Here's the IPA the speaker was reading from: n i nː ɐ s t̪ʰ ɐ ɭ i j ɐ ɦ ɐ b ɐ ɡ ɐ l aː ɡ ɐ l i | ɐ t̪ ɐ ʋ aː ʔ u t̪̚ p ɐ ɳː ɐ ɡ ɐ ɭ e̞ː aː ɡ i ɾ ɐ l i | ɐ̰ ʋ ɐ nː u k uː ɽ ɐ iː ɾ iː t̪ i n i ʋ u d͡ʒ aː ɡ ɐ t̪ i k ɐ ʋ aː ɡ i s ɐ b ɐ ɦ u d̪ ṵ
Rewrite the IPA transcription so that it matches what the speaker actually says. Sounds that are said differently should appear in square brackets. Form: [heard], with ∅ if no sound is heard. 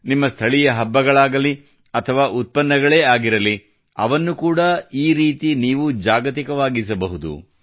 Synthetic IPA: n i [mː] ɐ s t̪ʰ ɐ ɭ i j ɐ ɦ ɐ [bː] ɐ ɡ ɐ [ɭ] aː ɡ ɐ l i | ɐ [t̪ʰ] ɐ ʋ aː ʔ u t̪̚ p ɐ [nː] ɐ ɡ ɐ ɭ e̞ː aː ɡ i ɾ ɐ l i | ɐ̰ ʋ ɐ nː u k uː ɽ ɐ iː ɾ iː t̪ i n [iː] ʋ u d͡ʒ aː ɡ ɐ t̪ i k ɐ ʋ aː ɡ i s ɐ b ɐ ɦ u d̪ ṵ